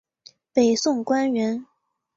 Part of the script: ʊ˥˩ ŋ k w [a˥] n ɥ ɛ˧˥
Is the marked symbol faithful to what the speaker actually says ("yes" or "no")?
yes